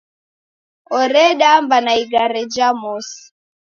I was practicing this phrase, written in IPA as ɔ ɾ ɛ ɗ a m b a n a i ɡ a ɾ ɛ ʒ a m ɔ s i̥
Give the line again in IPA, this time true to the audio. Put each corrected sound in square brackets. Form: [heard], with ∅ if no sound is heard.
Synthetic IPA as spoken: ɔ ɾ ɛ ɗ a m b a n a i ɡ a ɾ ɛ [d͡ʒ] a m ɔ s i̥

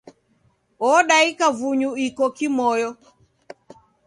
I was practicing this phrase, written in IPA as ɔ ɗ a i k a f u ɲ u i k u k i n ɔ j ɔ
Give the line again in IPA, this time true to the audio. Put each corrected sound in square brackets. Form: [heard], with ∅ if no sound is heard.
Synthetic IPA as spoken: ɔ ɗ a i k a [v] u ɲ u i k [ɔ] k i [m] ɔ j ɔ

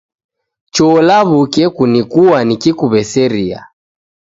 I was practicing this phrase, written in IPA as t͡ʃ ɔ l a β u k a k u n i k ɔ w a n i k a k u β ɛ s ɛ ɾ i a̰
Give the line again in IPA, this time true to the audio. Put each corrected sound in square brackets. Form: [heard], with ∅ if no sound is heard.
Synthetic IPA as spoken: t͡ʃ ɔ l a β u k [ɛ] k u n i k [u] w a n i k [i] k u β ɛ s ɛ ɾ i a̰

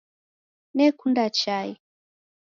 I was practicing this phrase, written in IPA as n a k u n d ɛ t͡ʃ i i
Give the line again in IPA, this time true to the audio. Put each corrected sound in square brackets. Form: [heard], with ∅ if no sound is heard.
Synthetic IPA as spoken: n [ɛ] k u n d [a] t͡ʃ [a] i

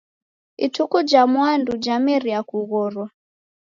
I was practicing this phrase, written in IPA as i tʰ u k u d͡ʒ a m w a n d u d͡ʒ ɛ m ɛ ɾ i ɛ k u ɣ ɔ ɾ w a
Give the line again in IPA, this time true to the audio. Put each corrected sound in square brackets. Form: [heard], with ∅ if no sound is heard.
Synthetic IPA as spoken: i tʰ u k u d͡ʒ a m w a n d u d͡ʒ [a] m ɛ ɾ i [a] k u ɣ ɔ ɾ w a

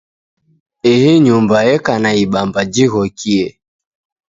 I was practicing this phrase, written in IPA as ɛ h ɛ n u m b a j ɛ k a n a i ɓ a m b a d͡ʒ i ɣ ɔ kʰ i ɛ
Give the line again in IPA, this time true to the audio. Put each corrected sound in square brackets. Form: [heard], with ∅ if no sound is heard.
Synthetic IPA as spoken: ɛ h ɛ [ɲ] u m b a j ɛ k a n a i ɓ a m b a d͡ʒ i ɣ ɔ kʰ i ɛ

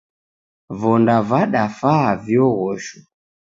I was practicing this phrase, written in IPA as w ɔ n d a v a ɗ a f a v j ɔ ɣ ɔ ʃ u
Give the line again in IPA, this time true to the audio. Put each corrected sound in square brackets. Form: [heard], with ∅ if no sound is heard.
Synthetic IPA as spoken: [v] ɔ n d a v a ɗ a f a v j ɔ ɣ ɔ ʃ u

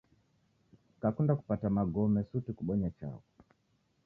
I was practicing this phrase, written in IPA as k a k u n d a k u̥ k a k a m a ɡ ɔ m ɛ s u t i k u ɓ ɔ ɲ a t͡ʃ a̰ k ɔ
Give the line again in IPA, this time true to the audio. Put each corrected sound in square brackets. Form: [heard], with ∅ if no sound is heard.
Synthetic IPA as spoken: k a k u n d a k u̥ [p] a [t] a m a ɡ ɔ m ɛ s u t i k u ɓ ɔ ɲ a t͡ʃ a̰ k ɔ

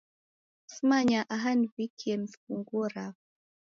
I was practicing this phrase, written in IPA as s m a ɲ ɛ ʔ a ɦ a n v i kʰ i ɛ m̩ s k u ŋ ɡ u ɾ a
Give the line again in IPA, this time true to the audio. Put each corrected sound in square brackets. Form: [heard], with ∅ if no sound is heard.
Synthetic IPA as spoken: s m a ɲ [a] ʔ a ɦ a n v i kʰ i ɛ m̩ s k u ŋ ɡ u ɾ a

